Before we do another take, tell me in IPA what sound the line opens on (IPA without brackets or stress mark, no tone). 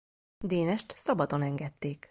d̪